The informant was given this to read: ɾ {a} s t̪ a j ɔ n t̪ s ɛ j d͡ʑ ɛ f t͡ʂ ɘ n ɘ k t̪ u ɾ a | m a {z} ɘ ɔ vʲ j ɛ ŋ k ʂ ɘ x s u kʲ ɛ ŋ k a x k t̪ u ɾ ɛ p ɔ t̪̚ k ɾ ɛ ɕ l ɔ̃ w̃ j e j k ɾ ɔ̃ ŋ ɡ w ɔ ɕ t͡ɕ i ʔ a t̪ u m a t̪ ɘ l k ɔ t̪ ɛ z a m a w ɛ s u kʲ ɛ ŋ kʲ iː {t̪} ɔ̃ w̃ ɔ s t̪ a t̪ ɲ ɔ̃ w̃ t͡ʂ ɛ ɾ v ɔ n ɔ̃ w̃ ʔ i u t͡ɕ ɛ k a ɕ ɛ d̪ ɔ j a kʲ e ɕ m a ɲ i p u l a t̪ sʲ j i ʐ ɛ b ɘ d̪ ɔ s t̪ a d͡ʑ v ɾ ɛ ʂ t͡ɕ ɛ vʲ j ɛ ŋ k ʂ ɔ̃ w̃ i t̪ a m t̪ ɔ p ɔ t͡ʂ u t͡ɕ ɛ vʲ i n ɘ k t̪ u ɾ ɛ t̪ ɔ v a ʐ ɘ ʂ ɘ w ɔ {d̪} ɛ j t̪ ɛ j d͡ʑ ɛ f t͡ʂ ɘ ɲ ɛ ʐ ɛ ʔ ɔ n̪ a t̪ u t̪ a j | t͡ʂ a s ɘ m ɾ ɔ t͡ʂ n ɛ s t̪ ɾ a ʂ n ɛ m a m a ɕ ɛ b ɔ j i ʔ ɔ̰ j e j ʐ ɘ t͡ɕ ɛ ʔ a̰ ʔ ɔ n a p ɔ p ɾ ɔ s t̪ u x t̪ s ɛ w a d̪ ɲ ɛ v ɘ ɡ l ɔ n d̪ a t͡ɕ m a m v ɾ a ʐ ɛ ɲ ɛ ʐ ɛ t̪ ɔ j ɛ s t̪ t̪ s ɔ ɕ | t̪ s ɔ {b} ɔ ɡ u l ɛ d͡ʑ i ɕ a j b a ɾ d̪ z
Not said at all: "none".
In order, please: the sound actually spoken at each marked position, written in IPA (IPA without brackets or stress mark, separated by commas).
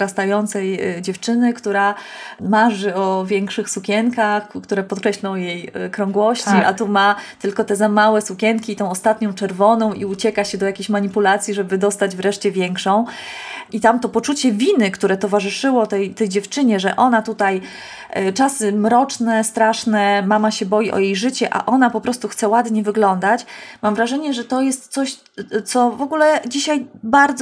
a, ʐ, t̪, t̪, v